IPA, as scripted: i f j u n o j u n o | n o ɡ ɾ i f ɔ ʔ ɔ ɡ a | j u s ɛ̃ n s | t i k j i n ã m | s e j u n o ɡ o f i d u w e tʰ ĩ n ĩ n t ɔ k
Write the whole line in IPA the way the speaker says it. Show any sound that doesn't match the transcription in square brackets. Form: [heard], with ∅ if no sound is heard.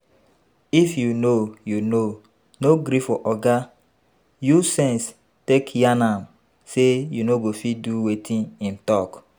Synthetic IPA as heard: i f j u n o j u n o | n o ɡ ɾ i f ɔ ʔ ɔ ɡ a | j u s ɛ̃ n s | t [e] k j [a] n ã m | s e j u n o ɡ o f i d u w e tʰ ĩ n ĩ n t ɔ k